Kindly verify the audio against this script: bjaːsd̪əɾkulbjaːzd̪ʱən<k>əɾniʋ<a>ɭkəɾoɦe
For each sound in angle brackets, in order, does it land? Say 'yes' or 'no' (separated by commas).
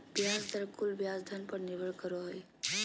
no, no